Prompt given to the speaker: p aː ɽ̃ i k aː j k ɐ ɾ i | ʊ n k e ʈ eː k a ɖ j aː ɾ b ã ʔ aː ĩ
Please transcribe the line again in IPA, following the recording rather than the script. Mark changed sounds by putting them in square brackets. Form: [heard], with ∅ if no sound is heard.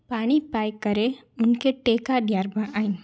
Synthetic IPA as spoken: p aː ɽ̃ i [p] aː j k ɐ ɾ [e] | ʊ n k e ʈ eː k a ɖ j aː ɾ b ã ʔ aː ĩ